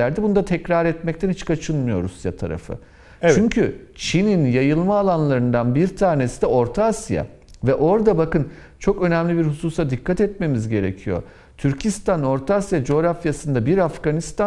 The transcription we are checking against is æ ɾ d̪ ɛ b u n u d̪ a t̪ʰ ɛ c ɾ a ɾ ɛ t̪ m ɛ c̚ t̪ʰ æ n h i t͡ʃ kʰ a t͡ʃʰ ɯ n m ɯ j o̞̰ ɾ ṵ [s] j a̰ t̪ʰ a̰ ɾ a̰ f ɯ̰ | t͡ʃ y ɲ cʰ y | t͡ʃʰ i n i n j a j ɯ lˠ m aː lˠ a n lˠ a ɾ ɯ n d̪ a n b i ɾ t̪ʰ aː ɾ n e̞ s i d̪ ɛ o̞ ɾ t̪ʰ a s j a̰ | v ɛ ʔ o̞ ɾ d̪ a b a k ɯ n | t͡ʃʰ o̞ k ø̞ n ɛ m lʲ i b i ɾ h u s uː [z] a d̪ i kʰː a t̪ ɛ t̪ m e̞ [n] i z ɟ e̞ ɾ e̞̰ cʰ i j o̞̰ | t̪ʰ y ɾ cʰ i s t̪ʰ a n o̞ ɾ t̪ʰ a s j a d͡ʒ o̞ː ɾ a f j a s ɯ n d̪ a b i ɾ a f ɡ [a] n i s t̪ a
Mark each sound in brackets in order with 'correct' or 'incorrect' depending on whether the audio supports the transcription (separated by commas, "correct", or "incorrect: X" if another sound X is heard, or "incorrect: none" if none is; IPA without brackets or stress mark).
correct, incorrect: s, incorrect: m, correct